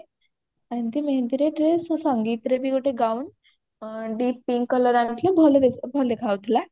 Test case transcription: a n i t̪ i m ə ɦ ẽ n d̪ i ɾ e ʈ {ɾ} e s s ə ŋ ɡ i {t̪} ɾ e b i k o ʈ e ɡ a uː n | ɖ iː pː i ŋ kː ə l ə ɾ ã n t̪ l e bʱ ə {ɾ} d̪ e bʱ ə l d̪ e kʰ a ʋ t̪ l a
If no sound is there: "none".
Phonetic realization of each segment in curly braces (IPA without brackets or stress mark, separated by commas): ɾ, t̪, l